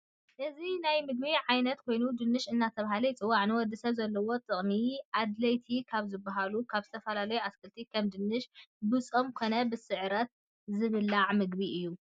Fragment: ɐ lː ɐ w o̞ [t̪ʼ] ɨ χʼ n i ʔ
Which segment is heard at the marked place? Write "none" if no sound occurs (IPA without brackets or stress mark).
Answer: t̪ʼ